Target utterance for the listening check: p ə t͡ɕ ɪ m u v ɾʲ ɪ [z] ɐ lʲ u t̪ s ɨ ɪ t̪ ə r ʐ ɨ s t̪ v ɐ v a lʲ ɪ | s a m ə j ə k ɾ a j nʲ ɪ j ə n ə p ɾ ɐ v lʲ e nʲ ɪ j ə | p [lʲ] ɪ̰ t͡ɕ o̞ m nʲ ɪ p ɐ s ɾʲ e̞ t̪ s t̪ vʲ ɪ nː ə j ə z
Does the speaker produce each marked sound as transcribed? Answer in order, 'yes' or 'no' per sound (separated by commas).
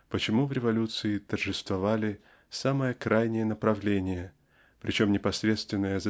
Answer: no, no